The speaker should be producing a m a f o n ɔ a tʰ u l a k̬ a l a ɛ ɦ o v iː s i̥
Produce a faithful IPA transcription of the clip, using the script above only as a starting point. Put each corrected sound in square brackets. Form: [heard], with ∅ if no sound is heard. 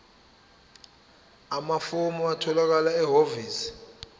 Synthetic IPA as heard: a m a f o [m] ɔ a tʰ [ɔ] l a k̬ a l a ɛ ɦ o v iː s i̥